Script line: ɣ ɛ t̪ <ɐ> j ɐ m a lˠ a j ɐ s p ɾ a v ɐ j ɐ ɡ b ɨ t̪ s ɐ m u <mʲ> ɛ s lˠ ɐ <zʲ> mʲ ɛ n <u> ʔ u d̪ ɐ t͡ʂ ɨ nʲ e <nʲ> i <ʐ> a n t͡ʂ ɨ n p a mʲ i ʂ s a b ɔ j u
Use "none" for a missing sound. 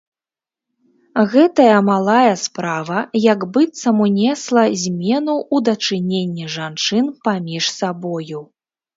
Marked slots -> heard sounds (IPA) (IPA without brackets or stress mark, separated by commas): ɐ, nʲ, zʲ, u, nʲː, ʐ